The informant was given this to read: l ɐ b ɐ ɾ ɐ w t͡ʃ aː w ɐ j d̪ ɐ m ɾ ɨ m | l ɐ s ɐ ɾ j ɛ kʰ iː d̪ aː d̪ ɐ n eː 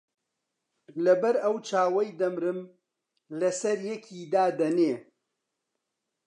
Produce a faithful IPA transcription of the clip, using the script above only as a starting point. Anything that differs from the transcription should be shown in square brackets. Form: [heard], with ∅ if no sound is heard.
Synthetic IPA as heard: l ɐ b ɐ ɾ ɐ w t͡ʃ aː w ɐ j d̪ ɐ m ɾ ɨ m | l ɐ s ɐ ɾ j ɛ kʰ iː d̪ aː d̪ ɐ n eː